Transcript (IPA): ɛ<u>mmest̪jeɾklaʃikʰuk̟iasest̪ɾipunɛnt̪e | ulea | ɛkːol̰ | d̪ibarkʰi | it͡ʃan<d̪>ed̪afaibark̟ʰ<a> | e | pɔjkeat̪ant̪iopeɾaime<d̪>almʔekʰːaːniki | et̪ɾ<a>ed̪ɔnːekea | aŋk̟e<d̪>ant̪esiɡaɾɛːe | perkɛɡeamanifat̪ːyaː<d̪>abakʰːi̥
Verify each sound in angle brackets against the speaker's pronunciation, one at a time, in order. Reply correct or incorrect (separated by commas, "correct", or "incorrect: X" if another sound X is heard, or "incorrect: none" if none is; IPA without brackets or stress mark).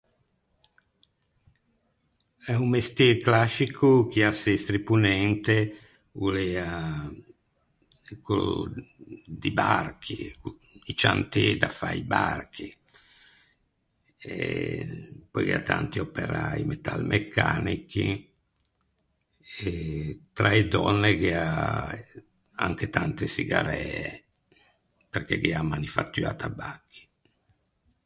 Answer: correct, incorrect: t̪, incorrect: i, incorrect: t̪, correct, incorrect: t̪, incorrect: t̪